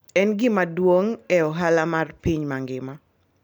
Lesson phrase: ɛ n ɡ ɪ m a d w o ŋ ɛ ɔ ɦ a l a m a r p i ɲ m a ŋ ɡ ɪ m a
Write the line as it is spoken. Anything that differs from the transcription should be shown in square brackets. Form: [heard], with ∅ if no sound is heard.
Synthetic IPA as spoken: ɛ n ɡ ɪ m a d w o ŋ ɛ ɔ ɦ a l a m a r p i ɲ m a ŋ ɡ ɪ m a

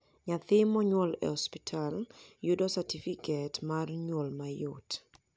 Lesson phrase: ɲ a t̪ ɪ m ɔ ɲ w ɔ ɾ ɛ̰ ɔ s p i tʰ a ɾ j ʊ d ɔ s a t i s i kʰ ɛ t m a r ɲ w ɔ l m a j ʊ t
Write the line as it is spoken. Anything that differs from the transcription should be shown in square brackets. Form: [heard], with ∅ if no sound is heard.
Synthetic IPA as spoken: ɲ a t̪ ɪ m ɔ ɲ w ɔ [l] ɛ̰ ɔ s p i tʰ a [l] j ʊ d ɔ s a t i [f] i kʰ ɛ t m a r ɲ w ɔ l m a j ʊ t

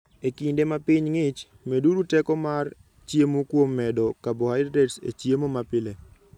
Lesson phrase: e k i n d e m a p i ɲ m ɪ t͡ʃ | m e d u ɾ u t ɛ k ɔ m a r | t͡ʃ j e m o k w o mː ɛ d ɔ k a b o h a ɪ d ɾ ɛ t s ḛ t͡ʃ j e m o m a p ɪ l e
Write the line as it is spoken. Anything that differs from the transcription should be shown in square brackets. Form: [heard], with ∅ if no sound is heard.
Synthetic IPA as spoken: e k i n d e m a p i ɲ [ŋ] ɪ t͡ʃ | m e d u ɾ u t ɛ k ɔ m a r | t͡ʃ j e m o k w o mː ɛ d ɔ k a b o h a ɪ d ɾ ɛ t s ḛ t͡ʃ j e m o m a p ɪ l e

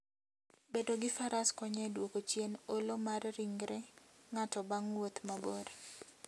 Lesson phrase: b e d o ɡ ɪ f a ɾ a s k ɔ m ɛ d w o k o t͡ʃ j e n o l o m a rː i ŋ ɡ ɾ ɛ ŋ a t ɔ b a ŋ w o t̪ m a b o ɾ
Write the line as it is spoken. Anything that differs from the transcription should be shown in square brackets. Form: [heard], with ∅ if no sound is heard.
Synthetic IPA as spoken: b e d o ɡ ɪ f a ɾ a s k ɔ [ɲ] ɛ d w o k o t͡ʃ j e n o l o m a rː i ŋ ɡ ɾ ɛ ŋ a t ɔ b a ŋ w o t̪ m a b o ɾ

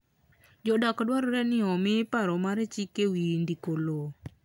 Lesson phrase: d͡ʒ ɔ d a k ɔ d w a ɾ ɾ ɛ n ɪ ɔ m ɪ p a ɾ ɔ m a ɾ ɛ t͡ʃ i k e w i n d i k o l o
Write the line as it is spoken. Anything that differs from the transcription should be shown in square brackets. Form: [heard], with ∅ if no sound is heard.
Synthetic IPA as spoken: d͡ʒ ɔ d a k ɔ d w a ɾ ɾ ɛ n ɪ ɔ m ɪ p a ɾ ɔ m a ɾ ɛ t͡ʃ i k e w i n d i k o l o

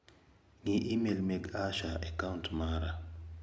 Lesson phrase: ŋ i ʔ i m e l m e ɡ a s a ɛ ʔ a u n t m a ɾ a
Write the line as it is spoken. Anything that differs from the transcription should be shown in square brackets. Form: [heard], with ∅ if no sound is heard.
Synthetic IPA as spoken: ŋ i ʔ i m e l m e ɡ a [ʃ] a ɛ [k] a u n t m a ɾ a

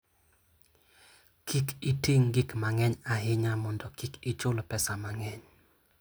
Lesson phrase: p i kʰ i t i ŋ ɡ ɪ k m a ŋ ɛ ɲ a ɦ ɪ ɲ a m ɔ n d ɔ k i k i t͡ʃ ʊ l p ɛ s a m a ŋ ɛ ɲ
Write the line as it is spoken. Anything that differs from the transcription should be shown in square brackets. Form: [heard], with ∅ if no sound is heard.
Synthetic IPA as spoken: [k] i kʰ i t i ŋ ɡ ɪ k m a ŋ ɛ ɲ a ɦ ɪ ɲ a m ɔ n d ɔ k i k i t͡ʃ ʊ l p ɛ s a m a ŋ ɛ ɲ

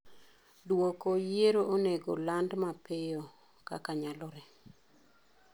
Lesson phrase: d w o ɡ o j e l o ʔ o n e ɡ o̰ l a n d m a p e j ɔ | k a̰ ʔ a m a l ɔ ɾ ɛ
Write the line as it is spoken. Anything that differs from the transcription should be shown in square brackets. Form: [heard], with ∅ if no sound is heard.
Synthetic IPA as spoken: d w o [k] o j e [ɾ] o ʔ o n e ɡ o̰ l a n d m a p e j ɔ | k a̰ [k] a [ɲ] a l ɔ ɾ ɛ

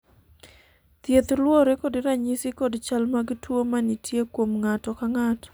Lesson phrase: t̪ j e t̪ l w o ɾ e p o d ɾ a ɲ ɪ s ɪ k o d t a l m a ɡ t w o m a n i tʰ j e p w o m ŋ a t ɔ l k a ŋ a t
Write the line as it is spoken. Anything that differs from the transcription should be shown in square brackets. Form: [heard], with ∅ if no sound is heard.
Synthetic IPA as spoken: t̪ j e t̪ l w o ɾ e [k] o d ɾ a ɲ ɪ s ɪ k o d [t͡ʃ] a l m a ɡ t w o m a n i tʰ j e [k] w o m ŋ a t ɔ [∅] k a ŋ a t

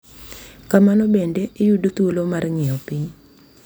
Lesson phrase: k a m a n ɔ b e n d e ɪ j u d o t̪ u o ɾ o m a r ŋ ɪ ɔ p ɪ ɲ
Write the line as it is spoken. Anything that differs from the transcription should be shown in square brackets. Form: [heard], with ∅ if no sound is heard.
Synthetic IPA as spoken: k a m a n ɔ b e n d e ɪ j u d o t̪ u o [l] o m a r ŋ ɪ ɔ p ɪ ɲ

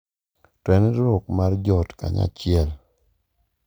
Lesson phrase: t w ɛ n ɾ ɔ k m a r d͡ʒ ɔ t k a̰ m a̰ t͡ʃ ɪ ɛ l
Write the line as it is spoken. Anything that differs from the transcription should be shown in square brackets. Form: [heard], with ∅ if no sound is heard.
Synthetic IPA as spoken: t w ɛ n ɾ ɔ k m a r d͡ʒ ɔ t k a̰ [ɲ] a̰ t͡ʃ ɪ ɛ l

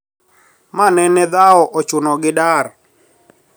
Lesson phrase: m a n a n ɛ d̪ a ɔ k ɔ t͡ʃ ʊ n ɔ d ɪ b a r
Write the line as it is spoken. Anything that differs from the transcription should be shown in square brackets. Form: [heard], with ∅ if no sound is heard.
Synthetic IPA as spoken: m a n [ɛ] n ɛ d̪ a ɔ [ʔ] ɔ t͡ʃ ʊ n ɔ [ɡ] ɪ [d] a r

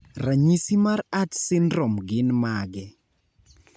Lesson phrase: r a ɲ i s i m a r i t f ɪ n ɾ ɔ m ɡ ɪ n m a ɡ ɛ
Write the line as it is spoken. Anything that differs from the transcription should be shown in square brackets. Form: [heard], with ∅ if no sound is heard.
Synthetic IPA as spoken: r a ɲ i s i m a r [a] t [s] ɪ n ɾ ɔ m ɡ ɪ n m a ɡ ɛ

